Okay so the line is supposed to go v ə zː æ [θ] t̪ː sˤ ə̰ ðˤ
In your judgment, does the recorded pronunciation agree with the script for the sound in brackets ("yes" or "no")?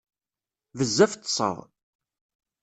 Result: no